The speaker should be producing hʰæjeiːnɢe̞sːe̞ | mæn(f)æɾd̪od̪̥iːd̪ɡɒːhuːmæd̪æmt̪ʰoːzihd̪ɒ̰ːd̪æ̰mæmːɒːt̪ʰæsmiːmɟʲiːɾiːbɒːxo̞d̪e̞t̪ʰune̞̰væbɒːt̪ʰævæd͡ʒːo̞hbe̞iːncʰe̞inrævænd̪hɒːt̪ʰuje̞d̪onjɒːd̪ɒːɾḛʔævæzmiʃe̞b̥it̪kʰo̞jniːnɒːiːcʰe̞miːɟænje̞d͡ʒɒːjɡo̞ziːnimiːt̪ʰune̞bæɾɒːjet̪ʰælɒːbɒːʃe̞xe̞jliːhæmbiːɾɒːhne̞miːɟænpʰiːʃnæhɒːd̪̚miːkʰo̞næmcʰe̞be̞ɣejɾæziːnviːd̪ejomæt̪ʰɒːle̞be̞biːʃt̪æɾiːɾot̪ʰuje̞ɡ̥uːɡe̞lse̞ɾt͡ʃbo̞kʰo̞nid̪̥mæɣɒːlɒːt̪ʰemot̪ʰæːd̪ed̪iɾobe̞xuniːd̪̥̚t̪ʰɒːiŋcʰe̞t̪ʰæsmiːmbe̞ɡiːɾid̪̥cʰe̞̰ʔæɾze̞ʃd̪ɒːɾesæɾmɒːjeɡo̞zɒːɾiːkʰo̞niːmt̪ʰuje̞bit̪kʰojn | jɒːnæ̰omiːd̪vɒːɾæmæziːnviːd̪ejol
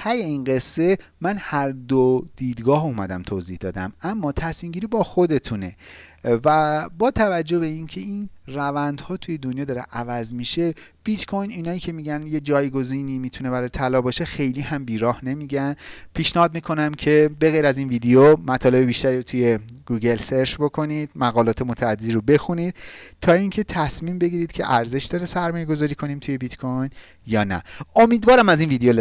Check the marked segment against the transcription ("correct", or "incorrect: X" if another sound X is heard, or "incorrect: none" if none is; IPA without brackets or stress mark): incorrect: h